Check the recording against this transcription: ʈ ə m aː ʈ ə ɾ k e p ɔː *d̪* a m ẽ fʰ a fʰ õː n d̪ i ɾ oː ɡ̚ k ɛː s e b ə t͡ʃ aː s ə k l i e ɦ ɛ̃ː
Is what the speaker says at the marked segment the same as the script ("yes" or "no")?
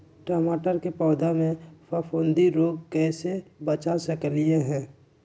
yes